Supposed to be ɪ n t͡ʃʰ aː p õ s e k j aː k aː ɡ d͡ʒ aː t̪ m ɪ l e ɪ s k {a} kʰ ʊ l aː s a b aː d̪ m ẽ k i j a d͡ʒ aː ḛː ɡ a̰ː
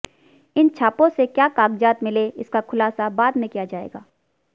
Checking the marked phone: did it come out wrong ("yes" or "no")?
no